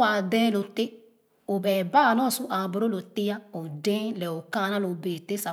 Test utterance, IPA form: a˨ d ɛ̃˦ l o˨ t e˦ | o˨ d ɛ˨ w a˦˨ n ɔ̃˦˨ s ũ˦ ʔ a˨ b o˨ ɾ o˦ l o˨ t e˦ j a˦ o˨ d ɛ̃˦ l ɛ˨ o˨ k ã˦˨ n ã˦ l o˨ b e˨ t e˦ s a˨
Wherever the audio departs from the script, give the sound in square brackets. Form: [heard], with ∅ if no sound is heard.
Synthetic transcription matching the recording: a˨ d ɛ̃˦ l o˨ t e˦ | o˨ [b] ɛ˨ [b] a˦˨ n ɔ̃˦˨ s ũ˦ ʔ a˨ b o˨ ɾ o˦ l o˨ t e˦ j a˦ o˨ d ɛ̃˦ l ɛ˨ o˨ k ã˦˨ n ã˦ l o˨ b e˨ t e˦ s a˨